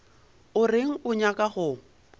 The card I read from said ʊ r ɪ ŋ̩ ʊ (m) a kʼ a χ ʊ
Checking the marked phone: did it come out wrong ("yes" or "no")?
yes